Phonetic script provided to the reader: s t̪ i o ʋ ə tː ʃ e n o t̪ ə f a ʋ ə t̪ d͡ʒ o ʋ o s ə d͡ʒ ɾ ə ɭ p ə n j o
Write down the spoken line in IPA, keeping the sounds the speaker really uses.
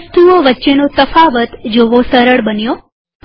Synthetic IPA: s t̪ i o ʋ ə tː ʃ e n o t̪ ə f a ʋ ə t̪ d͡ʒ o ʋ o s ə ɾ ə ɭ b ə n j o